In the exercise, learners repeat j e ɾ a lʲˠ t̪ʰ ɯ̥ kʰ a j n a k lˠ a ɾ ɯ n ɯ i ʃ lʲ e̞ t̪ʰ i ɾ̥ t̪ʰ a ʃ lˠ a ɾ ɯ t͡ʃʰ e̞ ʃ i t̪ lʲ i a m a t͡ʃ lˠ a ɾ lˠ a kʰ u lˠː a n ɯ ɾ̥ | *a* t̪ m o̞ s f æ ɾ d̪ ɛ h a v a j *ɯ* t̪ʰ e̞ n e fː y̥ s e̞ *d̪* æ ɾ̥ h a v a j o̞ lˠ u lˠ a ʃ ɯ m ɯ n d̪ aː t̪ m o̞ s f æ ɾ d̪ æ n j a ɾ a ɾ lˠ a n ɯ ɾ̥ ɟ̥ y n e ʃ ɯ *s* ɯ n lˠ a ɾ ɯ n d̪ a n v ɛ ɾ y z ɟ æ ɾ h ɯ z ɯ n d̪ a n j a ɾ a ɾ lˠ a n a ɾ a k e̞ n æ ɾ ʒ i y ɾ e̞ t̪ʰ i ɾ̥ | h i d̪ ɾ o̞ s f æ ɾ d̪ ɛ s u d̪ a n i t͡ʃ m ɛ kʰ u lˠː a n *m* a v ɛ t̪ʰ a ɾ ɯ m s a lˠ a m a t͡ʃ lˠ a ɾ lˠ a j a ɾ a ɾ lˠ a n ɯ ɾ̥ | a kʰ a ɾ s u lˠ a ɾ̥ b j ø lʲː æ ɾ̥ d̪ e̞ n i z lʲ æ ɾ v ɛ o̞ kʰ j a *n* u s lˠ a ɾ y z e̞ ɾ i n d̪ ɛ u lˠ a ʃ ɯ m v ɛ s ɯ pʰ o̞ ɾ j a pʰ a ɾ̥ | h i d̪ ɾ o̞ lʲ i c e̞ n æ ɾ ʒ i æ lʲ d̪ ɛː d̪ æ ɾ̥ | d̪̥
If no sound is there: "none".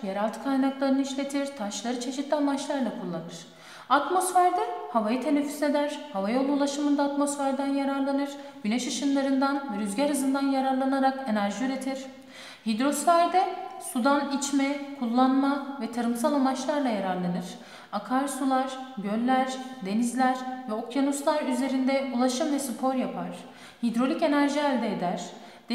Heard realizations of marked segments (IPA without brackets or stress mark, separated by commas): a, ɯ, d̪, ʃ, m, n